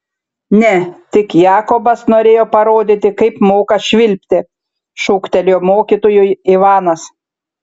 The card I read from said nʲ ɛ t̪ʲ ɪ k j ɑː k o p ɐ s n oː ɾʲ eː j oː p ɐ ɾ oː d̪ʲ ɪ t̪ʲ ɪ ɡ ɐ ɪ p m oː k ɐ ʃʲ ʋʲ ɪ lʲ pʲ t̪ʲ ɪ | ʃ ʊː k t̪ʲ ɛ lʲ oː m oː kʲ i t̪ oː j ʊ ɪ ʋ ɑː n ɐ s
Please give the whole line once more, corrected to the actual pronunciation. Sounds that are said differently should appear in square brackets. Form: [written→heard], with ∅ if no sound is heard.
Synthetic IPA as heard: nʲ ɛ t̪ʲ ɪ k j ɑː k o [p→b] ɐ s n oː ɾʲ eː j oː p ɐ ɾ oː d̪ʲ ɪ t̪ʲ ɪ [ɡ→k] ɐ ɪ p m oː k ɐ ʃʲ ʋʲ ɪ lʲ pʲ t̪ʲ ɪ | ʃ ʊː k t̪ʲ ɛ lʲ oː m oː kʲ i t̪ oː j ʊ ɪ ʋ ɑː n ɐ s